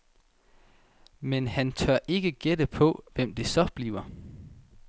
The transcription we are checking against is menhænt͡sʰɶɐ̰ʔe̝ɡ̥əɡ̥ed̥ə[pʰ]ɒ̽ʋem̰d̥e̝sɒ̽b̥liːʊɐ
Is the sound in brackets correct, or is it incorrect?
correct